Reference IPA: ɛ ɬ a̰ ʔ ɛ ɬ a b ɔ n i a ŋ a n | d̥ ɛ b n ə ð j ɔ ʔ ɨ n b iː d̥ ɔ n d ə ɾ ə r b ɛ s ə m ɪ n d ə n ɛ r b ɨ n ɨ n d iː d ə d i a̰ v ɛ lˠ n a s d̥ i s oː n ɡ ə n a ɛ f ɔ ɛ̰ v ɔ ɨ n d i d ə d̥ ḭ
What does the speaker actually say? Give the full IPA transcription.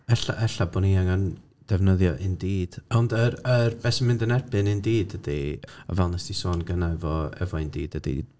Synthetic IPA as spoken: ɛ ɬ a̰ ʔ ɛ ɬ a b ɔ n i a ŋ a n | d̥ ɛ v n ə ð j ɔ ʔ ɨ n d iː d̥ ɔ n d ə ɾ ə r b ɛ s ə m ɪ n d ə n ɛ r b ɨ n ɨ n d iː d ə d i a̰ v ɛ lˠ n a s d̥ i s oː n ɡ ə n a ɛ v ɔ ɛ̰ v ɔ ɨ n d iː d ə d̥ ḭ